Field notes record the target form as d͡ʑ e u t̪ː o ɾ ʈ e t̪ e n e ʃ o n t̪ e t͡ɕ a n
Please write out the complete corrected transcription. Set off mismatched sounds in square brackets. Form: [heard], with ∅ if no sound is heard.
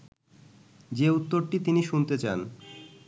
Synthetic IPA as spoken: d͡ʑ e u t̪ː o ɾ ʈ [i] t̪ [i] n [i] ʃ [u] n t̪ e t͡ɕ a n